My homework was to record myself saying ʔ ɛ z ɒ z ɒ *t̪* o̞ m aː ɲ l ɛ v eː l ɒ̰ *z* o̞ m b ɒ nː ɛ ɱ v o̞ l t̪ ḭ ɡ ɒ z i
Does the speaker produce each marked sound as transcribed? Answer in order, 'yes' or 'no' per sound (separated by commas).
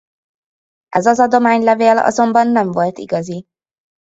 no, yes